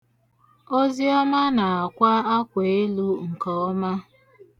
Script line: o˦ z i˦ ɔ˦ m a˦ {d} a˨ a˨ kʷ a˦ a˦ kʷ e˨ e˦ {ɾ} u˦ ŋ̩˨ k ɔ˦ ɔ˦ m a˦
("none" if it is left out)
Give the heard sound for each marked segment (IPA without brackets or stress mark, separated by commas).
n, l